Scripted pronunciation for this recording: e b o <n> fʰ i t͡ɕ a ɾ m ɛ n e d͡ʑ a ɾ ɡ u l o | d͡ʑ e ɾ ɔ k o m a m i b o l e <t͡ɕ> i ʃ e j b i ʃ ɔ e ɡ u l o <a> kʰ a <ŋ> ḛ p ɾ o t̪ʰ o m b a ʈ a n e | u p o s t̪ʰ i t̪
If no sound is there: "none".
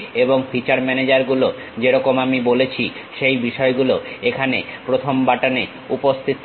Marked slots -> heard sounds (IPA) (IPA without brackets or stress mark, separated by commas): ŋ, t͡ɕʰ, e, n